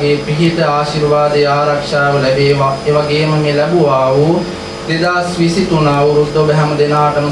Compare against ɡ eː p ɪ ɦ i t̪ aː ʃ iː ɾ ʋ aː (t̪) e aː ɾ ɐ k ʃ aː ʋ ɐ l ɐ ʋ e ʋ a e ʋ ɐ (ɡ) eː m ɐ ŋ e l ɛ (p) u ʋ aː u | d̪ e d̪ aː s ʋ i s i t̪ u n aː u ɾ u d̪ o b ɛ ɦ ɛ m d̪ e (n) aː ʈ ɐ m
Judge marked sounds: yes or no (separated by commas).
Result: no, yes, no, yes